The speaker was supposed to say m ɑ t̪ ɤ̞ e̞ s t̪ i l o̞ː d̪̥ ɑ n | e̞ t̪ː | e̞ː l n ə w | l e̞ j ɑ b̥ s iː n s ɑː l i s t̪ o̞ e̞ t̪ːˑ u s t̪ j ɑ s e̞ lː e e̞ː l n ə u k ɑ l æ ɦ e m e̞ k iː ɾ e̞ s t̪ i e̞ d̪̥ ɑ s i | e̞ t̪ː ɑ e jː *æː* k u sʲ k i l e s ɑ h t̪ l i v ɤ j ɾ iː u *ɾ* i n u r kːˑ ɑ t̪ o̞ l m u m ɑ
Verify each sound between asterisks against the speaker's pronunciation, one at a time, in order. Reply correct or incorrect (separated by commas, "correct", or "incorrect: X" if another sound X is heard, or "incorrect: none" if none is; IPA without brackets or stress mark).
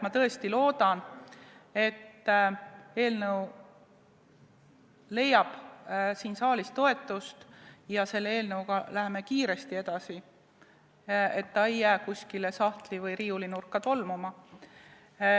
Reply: correct, incorrect: l